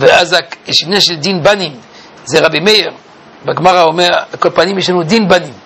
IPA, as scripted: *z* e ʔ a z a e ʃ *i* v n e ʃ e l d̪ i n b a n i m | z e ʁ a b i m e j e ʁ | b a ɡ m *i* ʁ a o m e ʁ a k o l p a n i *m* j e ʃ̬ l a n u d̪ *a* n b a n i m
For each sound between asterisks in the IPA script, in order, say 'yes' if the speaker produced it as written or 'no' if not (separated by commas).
no, yes, no, yes, no